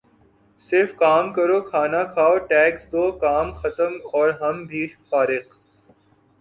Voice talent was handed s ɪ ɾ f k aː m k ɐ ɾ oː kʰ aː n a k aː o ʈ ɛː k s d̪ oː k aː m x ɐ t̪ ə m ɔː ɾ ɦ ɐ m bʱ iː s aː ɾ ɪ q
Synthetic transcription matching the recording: s ɪ ɾ f k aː m k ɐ ɾ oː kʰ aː n a kʰ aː o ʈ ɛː k s d̪ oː k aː m x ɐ t̪ ə m ɔː ɾ ɦ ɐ m bʱ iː f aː ɾ ɪ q